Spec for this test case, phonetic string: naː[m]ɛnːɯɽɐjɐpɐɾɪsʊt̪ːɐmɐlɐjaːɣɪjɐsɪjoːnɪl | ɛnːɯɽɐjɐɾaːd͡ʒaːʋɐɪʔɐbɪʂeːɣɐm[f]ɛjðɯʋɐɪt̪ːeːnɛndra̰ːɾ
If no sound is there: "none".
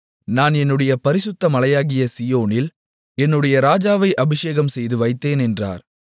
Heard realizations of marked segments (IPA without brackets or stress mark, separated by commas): n, s